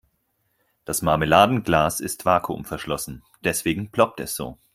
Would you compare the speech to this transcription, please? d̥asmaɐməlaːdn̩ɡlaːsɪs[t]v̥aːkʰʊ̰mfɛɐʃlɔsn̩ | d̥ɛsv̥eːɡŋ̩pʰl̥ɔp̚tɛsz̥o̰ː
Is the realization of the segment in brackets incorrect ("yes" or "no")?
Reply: no